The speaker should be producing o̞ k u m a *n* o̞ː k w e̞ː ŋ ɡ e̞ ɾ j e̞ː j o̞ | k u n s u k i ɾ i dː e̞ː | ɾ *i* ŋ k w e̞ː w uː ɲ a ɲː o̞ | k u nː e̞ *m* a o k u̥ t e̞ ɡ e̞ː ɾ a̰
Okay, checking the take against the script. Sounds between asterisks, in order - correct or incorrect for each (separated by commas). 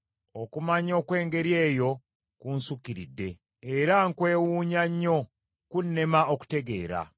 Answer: incorrect, incorrect, correct